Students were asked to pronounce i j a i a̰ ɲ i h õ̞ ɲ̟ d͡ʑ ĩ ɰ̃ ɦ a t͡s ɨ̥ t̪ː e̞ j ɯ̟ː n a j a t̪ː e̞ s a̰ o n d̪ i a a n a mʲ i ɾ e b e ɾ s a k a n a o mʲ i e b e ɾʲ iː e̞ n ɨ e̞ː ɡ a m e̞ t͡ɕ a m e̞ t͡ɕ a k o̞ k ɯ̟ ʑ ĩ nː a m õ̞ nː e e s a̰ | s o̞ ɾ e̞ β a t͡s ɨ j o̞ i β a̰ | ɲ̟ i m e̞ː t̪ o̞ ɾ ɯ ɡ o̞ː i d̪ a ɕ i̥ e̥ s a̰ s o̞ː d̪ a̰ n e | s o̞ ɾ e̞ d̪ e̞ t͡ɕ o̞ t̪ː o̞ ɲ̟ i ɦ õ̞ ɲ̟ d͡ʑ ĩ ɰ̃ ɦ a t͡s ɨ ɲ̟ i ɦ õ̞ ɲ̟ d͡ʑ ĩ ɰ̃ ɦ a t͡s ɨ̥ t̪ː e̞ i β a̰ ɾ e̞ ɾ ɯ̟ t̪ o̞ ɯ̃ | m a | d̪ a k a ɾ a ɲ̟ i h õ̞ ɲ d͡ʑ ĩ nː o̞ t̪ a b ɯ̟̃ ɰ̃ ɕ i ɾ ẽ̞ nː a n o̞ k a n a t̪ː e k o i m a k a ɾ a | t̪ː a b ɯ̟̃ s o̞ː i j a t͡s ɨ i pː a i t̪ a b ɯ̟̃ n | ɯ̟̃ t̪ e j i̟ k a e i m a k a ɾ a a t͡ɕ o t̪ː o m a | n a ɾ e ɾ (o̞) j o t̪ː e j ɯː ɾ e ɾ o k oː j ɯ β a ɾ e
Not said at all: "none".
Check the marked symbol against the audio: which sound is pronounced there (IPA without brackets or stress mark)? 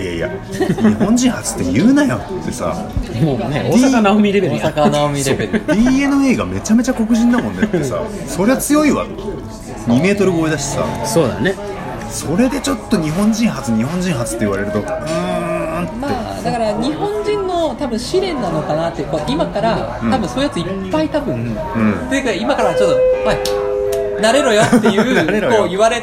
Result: o̞